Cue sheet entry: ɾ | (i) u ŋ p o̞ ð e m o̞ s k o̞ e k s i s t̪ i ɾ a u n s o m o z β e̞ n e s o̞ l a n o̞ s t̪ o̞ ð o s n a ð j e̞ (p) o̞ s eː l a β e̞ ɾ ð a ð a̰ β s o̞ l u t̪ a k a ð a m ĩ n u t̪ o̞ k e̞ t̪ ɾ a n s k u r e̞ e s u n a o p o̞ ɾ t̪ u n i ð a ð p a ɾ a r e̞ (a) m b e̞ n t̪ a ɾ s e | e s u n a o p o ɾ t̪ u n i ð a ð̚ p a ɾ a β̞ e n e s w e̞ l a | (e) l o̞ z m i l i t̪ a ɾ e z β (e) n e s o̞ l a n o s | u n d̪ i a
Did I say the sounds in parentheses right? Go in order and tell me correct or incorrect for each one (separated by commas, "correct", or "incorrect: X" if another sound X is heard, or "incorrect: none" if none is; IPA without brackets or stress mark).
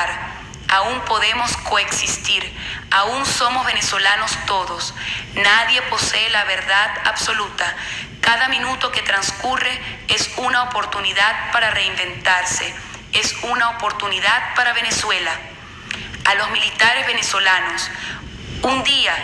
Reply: incorrect: a, correct, incorrect: i, incorrect: a, correct